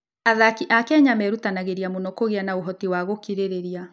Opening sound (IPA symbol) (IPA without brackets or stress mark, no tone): a